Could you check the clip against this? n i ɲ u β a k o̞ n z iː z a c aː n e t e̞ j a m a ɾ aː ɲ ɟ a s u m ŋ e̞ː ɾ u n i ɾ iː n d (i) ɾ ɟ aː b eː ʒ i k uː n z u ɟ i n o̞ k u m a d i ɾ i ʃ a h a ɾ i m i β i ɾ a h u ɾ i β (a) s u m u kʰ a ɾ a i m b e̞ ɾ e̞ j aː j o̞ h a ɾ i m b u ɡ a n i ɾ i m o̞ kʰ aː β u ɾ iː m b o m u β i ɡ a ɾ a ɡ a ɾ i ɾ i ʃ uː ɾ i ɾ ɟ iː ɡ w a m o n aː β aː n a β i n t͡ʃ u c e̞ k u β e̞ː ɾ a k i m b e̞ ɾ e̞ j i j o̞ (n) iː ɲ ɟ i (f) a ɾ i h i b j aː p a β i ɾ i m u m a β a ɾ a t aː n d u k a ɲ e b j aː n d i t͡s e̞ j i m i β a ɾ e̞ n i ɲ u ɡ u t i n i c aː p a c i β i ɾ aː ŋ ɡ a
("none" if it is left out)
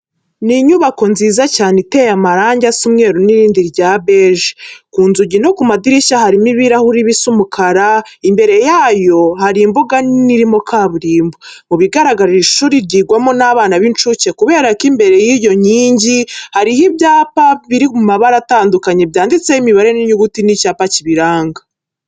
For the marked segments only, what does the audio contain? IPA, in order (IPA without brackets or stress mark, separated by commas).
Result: i, i, ɲ, h